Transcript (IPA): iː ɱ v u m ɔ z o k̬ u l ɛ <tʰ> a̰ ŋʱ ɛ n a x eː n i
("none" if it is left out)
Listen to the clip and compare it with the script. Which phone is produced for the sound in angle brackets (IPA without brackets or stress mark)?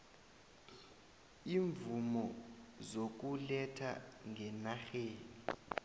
tʰ